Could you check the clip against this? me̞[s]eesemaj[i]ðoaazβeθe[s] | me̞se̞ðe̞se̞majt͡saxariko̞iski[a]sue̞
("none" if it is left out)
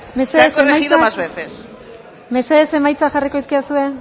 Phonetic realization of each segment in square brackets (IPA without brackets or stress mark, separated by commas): s, i, s, a